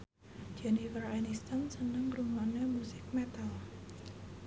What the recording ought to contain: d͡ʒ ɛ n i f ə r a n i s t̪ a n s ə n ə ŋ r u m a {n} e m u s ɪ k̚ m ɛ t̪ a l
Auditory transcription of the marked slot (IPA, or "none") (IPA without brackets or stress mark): n